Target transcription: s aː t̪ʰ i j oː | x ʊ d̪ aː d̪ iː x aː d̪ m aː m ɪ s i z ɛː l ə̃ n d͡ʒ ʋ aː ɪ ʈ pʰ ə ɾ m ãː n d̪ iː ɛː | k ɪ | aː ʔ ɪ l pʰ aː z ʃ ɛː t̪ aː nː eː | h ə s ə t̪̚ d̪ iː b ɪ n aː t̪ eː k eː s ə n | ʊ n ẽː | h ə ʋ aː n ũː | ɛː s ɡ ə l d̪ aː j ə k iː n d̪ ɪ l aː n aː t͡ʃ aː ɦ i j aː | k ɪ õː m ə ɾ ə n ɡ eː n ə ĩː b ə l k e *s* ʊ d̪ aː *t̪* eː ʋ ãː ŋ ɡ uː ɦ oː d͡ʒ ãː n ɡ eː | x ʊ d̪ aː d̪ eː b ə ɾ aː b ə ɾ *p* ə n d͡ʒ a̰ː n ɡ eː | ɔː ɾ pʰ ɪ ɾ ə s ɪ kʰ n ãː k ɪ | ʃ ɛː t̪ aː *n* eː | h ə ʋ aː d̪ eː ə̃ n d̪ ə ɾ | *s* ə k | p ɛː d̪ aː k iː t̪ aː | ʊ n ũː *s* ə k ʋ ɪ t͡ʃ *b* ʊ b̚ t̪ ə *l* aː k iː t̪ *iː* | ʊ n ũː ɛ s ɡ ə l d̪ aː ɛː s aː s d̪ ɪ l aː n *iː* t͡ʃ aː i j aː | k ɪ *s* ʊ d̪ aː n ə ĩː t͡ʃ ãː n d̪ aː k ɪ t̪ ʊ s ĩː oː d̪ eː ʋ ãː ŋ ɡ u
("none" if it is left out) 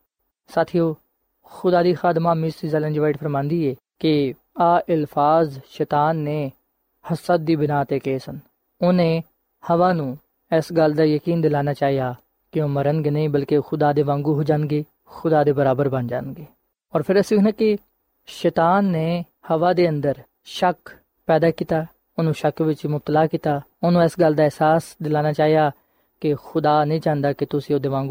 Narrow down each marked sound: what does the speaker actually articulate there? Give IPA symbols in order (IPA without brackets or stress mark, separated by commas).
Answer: x, d̪, b, nː, ʃ, ʃ, m, l, aː, aː, x